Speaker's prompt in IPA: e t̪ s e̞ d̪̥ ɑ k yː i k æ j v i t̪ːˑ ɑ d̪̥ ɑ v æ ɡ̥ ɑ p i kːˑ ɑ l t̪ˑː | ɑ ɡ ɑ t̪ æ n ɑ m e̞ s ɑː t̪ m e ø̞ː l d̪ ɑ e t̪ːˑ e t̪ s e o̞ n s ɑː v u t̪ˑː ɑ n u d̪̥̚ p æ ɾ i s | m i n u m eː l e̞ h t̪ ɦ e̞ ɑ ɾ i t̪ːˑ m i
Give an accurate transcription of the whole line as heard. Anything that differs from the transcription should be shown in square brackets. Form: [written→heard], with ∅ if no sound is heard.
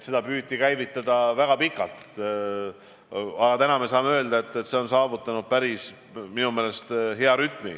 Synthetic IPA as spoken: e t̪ s e̞ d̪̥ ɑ [k→p] yː i k æ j v i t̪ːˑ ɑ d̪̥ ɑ v æ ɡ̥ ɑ p i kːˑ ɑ l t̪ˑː | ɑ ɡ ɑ t̪ æ n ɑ m e̞ s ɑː [t̪→∅] m e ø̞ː l d̪ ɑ e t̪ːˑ e t̪ s e o̞ n s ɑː v u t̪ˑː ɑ n u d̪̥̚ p æ ɾ i s | m i n u m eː l e̞ [h→s] t̪ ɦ e̞ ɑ ɾ [i→y] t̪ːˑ m i

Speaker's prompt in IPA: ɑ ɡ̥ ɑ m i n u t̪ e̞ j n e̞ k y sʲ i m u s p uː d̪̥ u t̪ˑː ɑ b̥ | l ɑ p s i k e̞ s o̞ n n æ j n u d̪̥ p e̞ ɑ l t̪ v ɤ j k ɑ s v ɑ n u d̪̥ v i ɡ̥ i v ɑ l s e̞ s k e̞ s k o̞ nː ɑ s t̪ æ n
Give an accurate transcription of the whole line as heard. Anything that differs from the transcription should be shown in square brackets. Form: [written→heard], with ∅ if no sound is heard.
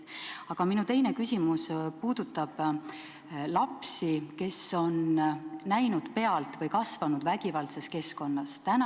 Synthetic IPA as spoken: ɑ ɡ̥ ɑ m i n u t̪ e̞ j n e̞ k y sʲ i m u s p uː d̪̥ u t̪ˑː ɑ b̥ | l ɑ p s i k e̞ s o̞ n n æ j n u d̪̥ p e̞ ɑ l t̪ v ɤ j k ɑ s v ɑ n u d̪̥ v [i→æ] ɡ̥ i v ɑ l s e̞ s k e̞ s k o̞ nː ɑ s t̪ æ n

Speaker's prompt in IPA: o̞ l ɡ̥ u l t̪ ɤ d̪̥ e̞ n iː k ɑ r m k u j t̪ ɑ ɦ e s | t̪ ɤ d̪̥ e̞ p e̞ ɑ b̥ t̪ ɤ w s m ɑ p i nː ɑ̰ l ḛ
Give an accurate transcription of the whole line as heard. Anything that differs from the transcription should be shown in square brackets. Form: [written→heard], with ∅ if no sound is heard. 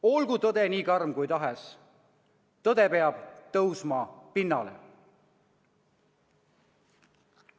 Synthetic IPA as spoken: o̞ l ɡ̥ u [l→∅] t̪ ɤ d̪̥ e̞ n iː k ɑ r m k u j t̪ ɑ ɦ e s | t̪ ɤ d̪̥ e̞ p e̞ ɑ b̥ t̪ ɤ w s m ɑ p i nː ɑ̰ l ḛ

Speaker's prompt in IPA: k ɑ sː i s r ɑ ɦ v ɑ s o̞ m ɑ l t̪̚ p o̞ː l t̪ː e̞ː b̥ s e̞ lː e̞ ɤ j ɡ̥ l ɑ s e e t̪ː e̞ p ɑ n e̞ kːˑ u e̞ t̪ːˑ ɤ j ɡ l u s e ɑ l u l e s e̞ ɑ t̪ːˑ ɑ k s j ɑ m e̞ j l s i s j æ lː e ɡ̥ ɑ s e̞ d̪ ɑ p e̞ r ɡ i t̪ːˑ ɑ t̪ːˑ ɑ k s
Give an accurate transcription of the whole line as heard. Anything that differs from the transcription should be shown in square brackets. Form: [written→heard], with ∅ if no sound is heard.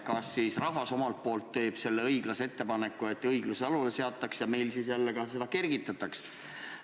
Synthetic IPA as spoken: k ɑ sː i s r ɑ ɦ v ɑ s o̞ m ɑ l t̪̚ p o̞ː l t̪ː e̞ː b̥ s e̞ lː e̞ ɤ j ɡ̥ l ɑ s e e t̪ː e̞ p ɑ n e̞ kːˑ u e̞ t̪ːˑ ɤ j ɡ l u s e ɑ l u l e s e̞ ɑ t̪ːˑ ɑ k s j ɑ m e̞ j l s i s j æ lː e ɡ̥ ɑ s e̞ d̪ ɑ [p→k] e̞ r ɡ i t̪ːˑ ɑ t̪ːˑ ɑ k s

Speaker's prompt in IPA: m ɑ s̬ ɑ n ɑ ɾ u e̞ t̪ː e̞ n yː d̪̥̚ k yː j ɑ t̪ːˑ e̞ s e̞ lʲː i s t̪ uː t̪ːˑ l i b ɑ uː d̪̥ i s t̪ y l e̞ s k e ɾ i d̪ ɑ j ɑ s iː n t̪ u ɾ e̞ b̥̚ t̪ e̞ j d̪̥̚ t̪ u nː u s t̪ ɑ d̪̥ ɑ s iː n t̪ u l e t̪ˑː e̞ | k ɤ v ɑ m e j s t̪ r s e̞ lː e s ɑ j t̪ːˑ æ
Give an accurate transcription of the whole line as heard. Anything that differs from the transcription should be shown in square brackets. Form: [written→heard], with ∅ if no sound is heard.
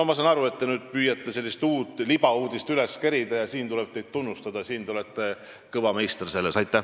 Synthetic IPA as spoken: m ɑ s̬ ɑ n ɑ ɾ u e̞ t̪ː e̞ n yː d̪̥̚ [k→p] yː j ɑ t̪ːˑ e̞ s e̞ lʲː i s t̪ uː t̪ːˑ l i b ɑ uː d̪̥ i s t̪ y l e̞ s k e ɾ i d̪ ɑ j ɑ s iː n t̪ u [ɾ→l] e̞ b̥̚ t̪ e̞ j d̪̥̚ t̪ u nː u s t̪ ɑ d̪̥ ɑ s iː n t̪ u l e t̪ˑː e̞ | k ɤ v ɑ m e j s t̪ r s e̞ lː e s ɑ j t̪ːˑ æ

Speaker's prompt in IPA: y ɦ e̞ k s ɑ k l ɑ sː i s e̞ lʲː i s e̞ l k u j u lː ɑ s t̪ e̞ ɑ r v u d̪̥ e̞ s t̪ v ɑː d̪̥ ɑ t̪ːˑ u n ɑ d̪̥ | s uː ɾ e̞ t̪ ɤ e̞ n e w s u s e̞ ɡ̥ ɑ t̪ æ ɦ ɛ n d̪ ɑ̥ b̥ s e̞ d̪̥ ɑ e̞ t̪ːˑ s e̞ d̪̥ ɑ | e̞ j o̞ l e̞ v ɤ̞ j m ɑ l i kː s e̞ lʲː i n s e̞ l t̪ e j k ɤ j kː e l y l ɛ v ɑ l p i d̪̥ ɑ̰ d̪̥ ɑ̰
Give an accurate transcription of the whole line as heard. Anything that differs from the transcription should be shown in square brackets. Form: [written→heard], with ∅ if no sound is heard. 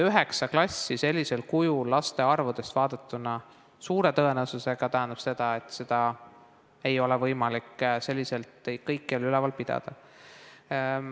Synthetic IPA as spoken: y ɦ e̞ k s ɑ k l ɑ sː i s e̞ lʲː i s e̞ l k u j u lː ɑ s t̪ e̞ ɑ r v u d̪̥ e̞ s t̪ v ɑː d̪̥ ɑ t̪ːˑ u n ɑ [d̪̥→∅] | s uː ɾ e̞ t̪ ɤ e̞ n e w s u s e̞ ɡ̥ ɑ t̪ æ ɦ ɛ n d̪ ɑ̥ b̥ s e̞ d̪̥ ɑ e̞ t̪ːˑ s e̞ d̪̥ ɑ | e̞ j o̞ l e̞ v ɤ̞ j m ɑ l i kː s e̞ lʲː i [n→∅] s e̞ l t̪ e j k ɤ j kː e l y l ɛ v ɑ l p i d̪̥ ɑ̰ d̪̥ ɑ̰

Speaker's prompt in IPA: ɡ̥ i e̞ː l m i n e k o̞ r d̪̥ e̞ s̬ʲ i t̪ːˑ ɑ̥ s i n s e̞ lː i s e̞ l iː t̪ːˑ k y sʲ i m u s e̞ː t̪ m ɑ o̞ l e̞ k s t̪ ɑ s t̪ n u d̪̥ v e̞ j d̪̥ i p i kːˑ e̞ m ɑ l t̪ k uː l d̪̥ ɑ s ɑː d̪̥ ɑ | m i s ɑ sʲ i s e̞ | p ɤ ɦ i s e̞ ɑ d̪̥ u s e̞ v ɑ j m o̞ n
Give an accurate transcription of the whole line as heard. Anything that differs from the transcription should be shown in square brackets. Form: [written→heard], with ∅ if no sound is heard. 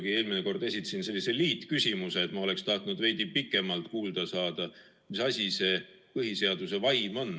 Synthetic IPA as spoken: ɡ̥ i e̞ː l m i n e k o̞ r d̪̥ e̞ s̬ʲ i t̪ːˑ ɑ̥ s i n s e̞ lː i s e̞ l iː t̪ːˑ k y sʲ i m u s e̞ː t̪ m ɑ o̞ l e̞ k s t̪ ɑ [s→h] t̪ n u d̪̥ v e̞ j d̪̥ i p i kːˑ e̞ m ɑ l t̪ k uː l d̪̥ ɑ s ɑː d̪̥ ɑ | m i s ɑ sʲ i s e̞ | p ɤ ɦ i s e̞ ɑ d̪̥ u s e̞ v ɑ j m o̞ n

